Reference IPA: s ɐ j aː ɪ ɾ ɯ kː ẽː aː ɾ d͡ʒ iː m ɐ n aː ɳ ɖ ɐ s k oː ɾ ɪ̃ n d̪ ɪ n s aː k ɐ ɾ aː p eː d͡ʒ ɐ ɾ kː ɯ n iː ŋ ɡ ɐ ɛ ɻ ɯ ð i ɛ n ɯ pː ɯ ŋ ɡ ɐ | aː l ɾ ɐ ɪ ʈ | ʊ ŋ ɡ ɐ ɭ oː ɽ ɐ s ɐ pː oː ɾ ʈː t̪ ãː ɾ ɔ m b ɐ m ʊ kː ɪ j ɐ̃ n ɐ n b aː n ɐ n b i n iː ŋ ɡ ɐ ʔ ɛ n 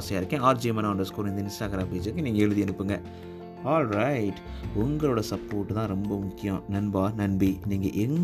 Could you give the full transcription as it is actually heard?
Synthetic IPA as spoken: s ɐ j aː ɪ ɾ ɯ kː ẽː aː ɾ d͡ʒ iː m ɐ n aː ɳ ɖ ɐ s k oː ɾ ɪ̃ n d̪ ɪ n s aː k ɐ ɾ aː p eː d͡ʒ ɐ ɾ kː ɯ n iː ŋ ɡ ɐ ɛ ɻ ɯ ð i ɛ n ɯ pː ɯ ŋ ɡ ɐ | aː l ɾ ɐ ɪ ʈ | ʊ ŋ ɡ ɐ ɭ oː ɽ ɐ s ɐ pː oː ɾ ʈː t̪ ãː ɾ ɔ m b ɐ m ʊ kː ɪ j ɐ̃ n ɐ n b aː n ɐ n b i n iː ŋ ɡ ɐ ʔ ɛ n